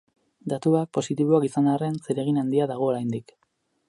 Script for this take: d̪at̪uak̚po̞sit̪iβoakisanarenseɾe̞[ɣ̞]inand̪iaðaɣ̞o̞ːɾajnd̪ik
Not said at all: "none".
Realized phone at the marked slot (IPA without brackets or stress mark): ɣ̞